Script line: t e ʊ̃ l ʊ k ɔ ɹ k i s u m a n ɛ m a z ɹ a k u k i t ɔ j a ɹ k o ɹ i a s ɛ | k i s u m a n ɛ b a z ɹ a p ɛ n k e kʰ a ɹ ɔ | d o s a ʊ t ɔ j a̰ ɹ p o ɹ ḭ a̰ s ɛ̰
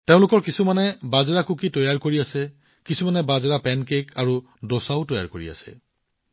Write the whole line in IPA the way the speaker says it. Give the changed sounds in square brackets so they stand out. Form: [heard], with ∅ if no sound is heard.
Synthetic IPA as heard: t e ʊ̃ l ʊ k ɔ ɹ k i s u m a n ɛ [b] a z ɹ a k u k i t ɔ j a ɹ k o ɹ i a s ɛ | k i s u m a n ɛ b a z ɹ a p ɛ n k e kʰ a ɹ [u] | d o s a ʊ t ɔ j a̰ ɹ [k] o ɹ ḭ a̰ s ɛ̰